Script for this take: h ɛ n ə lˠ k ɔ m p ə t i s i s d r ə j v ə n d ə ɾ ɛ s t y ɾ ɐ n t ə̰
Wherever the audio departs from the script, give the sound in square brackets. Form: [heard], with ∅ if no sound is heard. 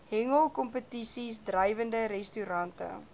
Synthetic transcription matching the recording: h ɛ [ŋ] ə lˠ k ɔ m p ə t i s i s d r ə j v ə n d ə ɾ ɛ s t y ɾ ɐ n t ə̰